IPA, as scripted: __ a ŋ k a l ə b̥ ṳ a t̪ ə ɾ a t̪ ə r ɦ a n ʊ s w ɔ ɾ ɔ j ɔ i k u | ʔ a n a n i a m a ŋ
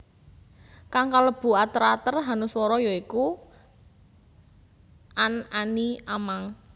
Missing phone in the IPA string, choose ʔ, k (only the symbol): k